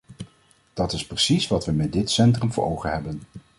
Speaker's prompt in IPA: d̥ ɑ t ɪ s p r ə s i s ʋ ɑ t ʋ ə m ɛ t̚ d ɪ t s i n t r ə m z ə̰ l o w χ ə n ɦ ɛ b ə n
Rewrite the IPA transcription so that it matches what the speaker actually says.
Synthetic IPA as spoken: d̥ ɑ t ɪ s p r ə s i s ʋ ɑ t ʋ ə m ɛ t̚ d ɪ t s ɛ n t r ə m v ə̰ ɹ o w χ ə n ɦ ɛ b ə n